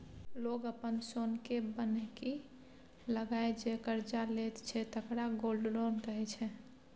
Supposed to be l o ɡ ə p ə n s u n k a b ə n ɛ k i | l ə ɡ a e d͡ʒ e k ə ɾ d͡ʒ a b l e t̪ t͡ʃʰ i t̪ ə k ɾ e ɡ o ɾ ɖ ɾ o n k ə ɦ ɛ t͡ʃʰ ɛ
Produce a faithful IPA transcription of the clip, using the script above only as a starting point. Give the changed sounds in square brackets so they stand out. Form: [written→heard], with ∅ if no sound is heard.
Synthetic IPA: l o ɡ ə p ə n s [u→o] n k [a→e] b ə n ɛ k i | l ə ɡ a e d͡ʒ e k ə ɾ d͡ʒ a [b→∅] l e t̪ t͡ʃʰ [i→ɛ] t̪ ə k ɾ [e→a] ɡ o [ɾ→l] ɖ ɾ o n k ə ɦ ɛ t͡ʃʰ ɛ